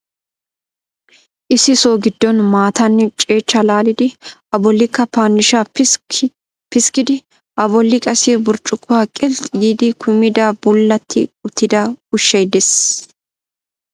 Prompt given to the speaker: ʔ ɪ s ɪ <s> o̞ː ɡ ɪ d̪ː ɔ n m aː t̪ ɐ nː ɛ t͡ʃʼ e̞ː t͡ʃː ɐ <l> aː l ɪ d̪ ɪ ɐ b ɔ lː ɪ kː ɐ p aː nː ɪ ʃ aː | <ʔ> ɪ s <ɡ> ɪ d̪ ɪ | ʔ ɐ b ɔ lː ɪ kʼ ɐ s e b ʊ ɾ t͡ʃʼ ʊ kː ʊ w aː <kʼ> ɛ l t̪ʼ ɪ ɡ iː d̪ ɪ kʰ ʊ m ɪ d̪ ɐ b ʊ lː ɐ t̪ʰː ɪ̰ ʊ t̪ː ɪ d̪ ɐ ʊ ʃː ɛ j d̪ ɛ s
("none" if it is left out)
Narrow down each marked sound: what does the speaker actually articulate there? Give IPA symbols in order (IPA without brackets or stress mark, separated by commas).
s, l, p, k, kʼ